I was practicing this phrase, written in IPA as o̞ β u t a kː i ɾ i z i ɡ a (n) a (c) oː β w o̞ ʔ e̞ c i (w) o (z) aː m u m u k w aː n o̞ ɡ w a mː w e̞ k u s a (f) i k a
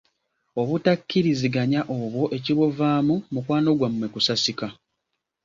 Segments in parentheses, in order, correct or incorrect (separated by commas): incorrect, incorrect, incorrect, incorrect, incorrect